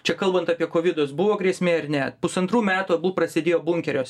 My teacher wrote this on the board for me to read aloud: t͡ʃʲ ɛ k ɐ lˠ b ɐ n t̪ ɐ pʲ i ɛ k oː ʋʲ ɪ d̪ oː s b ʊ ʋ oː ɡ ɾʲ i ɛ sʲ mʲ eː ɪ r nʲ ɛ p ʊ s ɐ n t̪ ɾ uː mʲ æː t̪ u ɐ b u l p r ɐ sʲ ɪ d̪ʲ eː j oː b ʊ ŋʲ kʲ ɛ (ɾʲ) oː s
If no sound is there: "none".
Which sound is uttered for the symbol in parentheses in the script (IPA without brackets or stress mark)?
ɾʲ